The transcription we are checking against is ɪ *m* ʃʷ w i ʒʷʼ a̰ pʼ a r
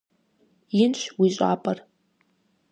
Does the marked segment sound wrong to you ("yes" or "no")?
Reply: yes